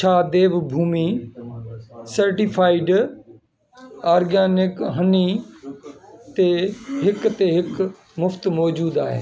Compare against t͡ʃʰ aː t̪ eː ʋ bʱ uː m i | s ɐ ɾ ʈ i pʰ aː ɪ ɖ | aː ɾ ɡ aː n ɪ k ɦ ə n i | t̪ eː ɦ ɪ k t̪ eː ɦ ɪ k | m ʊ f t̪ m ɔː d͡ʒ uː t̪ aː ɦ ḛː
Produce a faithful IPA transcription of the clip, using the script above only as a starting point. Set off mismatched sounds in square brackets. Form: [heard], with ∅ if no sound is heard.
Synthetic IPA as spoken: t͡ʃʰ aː [d̪] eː ʋ bʱ uː m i | s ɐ ɾ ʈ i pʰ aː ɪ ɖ | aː ɾ ɡ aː n ɪ k ɦ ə n i | t̪ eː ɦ ɪ k t̪ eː ɦ ɪ k | m ʊ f t̪ m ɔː d͡ʒ uː [d̪] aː ɦ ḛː